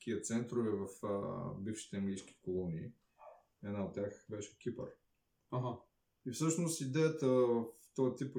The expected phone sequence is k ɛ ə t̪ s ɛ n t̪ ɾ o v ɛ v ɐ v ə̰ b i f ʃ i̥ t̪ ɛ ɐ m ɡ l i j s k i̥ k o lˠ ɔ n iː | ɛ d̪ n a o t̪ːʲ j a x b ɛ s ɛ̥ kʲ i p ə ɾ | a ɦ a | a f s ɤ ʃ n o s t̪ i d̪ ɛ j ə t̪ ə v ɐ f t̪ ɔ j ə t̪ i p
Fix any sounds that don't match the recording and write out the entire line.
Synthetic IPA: k i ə t̪ s ɛ n t̪ ɾ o v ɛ v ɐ f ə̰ b i f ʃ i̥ t̪ ɛ ɐ ŋ ɡ l i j s k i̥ k o lˠ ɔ n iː | ɛ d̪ n a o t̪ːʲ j a x b ɛ ʃ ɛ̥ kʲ i p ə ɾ | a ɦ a | i f s ɤ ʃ n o s t̪ i d̪ ɛ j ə t̪ ə v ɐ f t̪ ɔ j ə t̪ i p